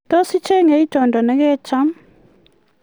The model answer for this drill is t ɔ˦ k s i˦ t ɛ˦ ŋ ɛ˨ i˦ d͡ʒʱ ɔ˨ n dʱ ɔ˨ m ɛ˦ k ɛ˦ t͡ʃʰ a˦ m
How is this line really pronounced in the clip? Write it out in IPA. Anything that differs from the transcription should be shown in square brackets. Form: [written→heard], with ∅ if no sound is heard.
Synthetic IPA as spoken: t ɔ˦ [k→∅] s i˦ [t→t͡ʃ] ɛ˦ ŋ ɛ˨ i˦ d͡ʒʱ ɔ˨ n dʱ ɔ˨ [m→n] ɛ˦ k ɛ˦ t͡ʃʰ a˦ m